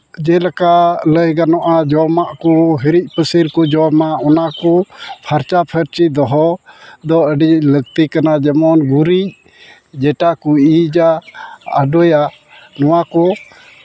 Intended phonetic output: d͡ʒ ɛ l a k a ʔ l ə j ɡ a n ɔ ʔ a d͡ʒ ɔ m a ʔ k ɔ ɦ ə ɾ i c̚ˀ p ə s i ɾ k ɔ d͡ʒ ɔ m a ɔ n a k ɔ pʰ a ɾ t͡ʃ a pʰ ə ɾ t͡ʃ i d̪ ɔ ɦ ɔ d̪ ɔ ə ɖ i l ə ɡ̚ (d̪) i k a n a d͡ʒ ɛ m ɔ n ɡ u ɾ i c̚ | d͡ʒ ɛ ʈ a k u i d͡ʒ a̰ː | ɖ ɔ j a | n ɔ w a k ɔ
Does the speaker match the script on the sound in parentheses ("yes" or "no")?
no